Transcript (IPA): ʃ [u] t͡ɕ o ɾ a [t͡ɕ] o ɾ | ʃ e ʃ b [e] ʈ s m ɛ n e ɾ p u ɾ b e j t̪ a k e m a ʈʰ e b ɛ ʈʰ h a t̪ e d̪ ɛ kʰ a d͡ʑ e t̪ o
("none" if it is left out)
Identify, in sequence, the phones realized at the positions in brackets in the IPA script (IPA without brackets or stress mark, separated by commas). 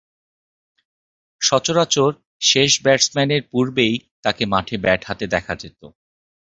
ɔ, t͡ɕ, ɛ